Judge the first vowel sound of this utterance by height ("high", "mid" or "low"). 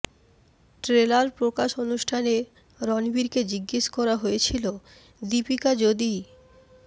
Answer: mid